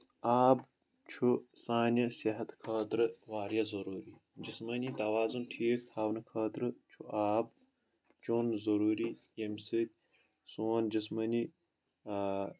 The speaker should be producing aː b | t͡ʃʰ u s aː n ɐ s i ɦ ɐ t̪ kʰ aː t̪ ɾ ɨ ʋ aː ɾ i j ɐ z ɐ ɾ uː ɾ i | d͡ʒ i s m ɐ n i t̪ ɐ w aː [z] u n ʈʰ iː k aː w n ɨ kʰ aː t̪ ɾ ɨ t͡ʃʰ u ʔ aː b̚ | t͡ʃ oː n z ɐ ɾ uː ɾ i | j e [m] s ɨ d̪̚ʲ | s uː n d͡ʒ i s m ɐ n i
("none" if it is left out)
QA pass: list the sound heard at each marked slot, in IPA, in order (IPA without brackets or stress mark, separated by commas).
z, m